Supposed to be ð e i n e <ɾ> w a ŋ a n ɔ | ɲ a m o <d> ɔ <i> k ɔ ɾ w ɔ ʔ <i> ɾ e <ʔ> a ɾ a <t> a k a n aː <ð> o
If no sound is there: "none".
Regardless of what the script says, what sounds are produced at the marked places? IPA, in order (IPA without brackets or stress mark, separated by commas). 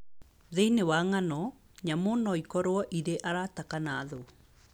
none, n, i, i, ʔ, t, ð